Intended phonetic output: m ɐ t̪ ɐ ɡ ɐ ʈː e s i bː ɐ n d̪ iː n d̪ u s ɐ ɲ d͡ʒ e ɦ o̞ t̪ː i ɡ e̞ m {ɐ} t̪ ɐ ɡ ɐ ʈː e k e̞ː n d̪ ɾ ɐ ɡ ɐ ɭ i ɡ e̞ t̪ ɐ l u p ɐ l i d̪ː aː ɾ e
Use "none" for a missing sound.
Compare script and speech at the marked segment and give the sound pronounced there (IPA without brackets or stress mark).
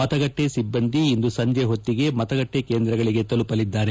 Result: ɐ